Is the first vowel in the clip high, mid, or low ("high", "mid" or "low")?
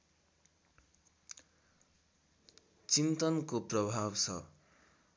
high